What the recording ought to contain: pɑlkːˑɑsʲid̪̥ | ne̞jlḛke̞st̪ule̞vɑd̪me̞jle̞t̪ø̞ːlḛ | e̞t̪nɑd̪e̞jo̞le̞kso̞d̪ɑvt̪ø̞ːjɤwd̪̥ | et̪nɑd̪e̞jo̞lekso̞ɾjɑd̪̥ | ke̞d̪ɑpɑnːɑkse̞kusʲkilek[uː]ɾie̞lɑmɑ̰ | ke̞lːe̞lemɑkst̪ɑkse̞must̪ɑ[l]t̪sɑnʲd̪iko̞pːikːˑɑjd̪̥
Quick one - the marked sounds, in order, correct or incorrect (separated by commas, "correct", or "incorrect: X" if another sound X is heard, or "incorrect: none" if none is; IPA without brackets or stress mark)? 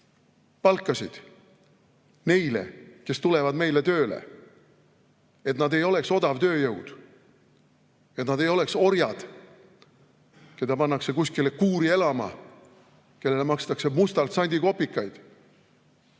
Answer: correct, correct